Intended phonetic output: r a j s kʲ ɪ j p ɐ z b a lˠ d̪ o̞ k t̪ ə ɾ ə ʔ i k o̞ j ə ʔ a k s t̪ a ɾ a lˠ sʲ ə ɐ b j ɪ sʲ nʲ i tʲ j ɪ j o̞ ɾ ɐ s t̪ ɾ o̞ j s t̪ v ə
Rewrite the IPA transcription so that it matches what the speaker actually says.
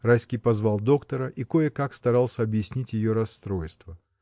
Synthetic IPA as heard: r a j s kʲ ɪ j p ɐ z v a lˠ d̪ o̞ k t̪ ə ɾ ə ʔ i k o̞ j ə k a k s t̪ ɐ ɾ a lˠ sʲ ə ɐ b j ɪ sʲ nʲ i tʲ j ɪ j o̞ ɾ ɐ s t̪ ɾ o̞ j s t̪ v ə